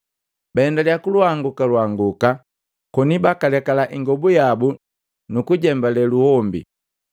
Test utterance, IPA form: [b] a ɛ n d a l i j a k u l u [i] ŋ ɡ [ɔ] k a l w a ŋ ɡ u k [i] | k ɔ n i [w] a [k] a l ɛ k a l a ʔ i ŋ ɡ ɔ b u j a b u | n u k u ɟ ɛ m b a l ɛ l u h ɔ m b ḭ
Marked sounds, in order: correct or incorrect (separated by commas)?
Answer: correct, incorrect, incorrect, incorrect, incorrect, correct